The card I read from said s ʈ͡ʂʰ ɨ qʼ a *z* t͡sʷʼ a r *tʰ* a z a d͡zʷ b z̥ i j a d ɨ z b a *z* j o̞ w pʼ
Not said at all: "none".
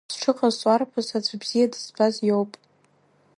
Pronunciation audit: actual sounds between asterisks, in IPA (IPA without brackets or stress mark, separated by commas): z, pʰ, z